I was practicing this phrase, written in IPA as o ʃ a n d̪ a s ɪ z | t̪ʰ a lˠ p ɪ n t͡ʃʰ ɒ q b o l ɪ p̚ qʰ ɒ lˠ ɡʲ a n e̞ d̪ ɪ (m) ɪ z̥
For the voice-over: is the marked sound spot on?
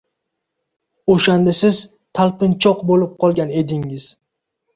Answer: no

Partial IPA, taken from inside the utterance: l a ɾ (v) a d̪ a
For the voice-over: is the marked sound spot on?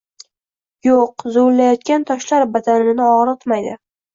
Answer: no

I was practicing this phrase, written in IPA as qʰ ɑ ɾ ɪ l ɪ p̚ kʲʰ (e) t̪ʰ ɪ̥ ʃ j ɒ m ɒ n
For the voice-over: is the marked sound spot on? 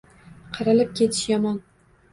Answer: yes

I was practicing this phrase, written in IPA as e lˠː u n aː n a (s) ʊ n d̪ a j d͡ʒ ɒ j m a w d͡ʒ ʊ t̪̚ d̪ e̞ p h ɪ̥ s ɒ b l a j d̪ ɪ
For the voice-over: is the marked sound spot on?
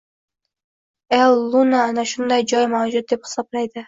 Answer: no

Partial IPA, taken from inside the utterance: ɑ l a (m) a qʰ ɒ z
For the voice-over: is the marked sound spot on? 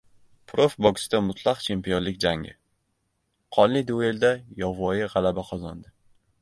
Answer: no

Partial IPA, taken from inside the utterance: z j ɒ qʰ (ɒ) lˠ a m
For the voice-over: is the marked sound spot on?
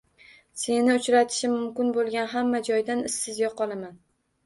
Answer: yes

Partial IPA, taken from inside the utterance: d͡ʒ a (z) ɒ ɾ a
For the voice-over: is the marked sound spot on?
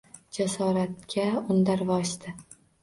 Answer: no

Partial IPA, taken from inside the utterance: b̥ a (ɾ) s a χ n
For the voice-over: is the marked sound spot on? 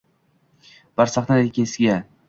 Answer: yes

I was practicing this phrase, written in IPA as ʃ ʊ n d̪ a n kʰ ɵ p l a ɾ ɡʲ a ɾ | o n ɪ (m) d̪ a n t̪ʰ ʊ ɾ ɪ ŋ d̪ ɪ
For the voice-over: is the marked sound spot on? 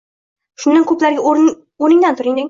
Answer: no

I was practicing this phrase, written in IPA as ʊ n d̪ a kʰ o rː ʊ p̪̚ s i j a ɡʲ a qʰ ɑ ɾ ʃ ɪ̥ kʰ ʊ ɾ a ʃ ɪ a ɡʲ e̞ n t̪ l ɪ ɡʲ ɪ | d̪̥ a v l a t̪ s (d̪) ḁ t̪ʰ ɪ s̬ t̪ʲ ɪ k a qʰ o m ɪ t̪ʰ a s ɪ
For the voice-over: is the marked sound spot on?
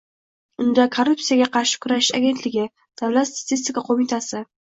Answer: no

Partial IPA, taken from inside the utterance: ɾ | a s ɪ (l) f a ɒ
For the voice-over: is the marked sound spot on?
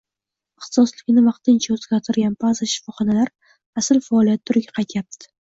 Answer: yes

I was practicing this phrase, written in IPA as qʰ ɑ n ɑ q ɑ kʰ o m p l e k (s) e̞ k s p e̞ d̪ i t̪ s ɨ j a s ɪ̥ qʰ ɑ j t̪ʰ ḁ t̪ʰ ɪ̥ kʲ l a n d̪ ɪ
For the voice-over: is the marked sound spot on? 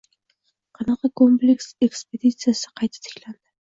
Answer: yes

